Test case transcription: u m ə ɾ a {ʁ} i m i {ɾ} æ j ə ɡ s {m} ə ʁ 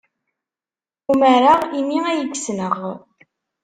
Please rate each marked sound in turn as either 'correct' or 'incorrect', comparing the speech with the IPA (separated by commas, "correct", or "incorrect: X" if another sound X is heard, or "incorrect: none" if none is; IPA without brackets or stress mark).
correct, incorrect: none, incorrect: n